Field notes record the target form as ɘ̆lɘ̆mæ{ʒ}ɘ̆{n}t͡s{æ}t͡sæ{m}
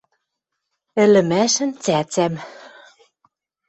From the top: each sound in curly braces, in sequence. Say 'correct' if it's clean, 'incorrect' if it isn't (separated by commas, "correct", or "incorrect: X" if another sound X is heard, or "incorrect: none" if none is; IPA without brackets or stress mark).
incorrect: ʃ, correct, correct, correct